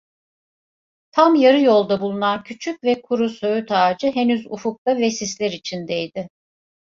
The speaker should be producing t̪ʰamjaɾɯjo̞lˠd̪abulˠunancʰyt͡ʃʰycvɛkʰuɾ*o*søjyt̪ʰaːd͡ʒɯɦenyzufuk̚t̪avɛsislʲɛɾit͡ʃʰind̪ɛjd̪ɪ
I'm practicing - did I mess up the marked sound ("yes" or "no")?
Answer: yes